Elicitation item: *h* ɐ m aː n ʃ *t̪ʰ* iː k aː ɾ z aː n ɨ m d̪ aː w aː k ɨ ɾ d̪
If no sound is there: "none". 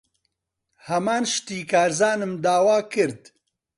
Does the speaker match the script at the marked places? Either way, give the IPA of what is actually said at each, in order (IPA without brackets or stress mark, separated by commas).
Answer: h, t̪